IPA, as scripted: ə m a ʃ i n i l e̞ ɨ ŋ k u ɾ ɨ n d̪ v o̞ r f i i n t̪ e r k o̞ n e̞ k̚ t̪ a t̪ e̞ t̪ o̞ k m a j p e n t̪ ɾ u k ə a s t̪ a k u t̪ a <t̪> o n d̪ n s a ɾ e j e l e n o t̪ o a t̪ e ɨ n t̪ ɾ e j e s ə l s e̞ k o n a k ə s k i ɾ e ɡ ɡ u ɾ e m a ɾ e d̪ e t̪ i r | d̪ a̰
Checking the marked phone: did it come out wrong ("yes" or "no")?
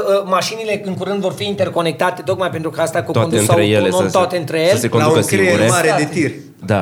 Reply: yes